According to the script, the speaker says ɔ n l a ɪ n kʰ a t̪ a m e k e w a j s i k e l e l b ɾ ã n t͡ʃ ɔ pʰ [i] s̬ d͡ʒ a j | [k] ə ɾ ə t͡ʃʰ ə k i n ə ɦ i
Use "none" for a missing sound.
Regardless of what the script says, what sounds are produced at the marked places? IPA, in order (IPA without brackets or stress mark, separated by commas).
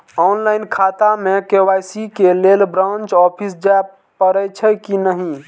i, p